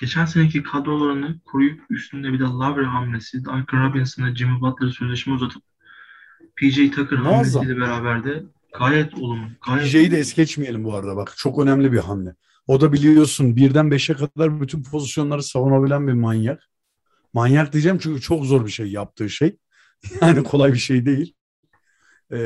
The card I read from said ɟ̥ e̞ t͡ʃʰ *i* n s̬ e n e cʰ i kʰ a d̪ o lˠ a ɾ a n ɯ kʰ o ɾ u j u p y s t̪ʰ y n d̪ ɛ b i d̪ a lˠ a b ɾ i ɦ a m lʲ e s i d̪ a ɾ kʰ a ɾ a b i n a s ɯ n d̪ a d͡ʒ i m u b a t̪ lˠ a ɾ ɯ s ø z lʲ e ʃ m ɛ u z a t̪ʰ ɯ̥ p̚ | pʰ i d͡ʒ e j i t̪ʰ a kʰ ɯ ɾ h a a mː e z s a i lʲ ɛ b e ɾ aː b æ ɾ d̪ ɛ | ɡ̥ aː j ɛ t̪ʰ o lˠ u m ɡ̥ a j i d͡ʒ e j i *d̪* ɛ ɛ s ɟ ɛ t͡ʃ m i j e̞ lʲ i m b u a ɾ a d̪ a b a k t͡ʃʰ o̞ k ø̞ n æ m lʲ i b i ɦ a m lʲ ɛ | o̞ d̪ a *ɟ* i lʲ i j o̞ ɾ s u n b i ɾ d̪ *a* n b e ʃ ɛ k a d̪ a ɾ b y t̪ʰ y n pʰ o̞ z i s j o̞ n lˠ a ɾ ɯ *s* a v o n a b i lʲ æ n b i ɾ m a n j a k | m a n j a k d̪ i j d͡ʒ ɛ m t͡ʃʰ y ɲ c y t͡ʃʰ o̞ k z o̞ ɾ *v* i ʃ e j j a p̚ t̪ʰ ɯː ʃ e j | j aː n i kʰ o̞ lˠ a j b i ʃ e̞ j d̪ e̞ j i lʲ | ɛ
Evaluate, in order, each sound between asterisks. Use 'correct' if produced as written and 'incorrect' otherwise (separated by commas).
incorrect, correct, incorrect, incorrect, correct, incorrect